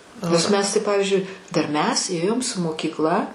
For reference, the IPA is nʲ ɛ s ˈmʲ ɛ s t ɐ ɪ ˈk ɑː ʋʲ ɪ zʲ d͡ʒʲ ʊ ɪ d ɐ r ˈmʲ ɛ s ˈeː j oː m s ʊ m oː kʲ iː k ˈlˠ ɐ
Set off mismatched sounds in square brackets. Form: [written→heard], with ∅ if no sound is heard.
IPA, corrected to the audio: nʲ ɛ s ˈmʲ ɛ s t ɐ ɪ [ˈk→ˈp] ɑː ʋʲ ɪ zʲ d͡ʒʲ ʊ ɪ d ɐ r ˈmʲ ɛ s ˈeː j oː m s ʊ m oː kʲ iː k ˈlˠ ɐ